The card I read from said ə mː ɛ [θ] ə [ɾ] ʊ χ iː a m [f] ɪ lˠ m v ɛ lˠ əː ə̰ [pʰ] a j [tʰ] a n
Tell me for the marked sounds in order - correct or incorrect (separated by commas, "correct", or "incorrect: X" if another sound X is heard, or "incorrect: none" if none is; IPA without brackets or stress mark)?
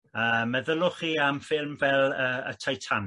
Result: incorrect: ð, incorrect: l, correct, incorrect: tʰ, correct